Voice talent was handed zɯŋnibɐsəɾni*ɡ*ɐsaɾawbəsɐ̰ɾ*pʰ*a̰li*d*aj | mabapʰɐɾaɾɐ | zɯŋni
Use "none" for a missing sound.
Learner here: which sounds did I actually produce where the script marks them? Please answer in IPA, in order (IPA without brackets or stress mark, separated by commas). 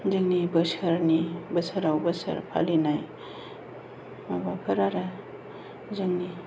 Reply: b, pʰ, n